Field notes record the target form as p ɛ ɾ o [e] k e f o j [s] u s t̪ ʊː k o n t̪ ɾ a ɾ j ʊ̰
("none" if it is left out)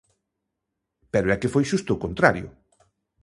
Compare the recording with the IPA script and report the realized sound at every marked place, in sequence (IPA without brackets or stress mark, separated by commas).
ɛ, ʃ